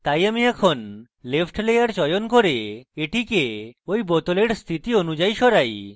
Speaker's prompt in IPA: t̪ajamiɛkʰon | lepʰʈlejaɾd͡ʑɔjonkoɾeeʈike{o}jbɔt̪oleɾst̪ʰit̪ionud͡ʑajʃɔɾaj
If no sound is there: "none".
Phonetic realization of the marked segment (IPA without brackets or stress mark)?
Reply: o